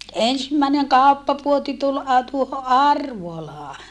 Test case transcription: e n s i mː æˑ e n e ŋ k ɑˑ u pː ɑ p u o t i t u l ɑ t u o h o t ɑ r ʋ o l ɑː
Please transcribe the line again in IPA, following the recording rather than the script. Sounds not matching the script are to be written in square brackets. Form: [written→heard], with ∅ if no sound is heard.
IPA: e n s i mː æˑ e n e ŋ k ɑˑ u pː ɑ p u o t i t u l ɑ t u o h o [t→ʔ] ɑ r ʋ o l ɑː